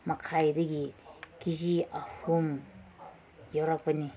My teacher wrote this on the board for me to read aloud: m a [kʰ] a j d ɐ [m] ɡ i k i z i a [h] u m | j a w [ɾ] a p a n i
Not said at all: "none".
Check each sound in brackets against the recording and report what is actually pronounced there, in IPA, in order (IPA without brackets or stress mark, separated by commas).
kʰ, none, h, ɾ